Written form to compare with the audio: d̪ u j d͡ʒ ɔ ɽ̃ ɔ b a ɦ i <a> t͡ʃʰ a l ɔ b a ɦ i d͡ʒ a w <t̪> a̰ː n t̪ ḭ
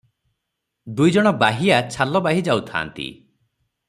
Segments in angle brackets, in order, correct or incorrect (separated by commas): correct, incorrect